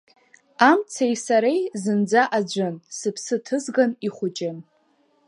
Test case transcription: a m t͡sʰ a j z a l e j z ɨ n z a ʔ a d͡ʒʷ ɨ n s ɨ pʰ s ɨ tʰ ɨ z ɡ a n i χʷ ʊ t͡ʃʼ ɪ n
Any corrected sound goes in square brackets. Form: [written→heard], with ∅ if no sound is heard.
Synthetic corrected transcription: a m t͡sʰ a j [z→s] a [l→ɾ] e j z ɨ n [z→d͡z] a ʔ a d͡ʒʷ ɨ n s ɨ pʰ s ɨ tʰ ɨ z ɡ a n i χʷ ʊ t͡ʃʼ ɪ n